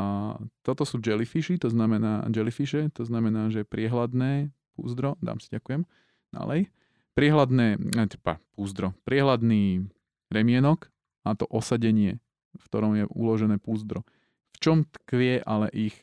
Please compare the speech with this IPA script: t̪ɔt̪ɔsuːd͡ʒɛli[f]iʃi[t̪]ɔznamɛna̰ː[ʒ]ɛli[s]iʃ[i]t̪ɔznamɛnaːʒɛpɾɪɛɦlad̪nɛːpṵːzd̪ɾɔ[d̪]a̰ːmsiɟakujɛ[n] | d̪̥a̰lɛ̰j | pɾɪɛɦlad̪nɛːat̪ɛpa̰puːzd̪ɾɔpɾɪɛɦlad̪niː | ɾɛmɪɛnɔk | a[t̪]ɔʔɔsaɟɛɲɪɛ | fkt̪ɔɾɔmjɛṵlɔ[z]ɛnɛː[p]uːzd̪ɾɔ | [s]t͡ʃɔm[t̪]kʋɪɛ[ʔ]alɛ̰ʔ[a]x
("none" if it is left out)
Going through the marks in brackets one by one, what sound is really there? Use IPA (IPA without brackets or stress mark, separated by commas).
f, t̪, d͡ʒ, f, ɛ, d̪, m, t̪, ʒ, p, f, t̪, ʔ, i